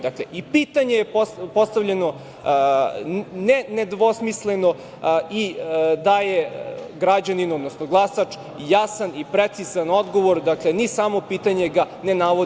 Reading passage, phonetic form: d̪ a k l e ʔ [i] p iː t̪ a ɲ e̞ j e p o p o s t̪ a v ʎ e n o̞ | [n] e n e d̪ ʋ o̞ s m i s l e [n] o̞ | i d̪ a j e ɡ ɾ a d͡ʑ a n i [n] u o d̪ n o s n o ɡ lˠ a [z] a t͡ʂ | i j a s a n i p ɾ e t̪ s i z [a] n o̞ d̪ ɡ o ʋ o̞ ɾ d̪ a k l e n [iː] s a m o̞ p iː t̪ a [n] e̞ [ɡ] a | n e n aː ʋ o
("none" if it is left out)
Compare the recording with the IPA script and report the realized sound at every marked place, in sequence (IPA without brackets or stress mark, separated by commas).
i, n, n, n, s, a, i, ɲ, ɡ